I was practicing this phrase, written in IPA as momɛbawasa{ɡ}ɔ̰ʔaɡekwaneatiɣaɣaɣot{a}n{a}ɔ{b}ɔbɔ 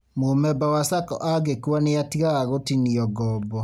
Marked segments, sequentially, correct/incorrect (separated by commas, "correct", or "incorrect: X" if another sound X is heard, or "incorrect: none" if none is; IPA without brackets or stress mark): incorrect: k, incorrect: i, incorrect: i, incorrect: ɡ